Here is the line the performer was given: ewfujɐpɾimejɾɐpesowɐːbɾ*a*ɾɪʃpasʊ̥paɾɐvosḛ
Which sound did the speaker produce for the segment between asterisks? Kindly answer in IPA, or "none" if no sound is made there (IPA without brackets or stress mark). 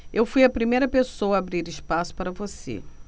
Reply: i